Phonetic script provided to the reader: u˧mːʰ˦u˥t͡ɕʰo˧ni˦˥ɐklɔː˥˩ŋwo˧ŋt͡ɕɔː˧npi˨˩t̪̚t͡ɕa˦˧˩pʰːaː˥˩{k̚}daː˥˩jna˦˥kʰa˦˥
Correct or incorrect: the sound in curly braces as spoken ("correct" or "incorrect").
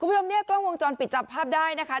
incorrect